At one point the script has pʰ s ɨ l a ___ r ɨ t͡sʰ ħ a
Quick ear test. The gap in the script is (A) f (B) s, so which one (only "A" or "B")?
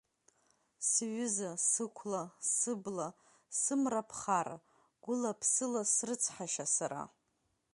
B